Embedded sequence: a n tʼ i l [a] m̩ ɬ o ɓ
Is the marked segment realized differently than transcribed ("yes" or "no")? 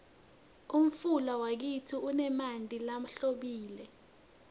no